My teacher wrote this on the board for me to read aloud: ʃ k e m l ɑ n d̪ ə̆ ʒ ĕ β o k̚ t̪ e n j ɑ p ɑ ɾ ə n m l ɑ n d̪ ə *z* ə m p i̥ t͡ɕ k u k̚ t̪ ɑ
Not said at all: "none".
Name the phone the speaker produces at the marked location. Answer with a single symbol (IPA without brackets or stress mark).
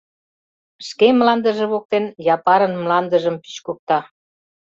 ʒ